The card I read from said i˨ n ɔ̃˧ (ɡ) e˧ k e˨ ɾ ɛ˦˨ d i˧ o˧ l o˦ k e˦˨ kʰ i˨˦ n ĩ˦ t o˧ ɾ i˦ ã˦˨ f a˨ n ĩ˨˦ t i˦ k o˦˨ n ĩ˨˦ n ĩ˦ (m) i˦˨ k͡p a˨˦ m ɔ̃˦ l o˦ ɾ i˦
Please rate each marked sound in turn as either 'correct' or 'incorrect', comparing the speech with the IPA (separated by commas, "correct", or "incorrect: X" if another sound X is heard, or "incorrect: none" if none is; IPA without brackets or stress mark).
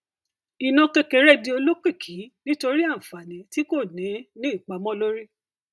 incorrect: k, incorrect: none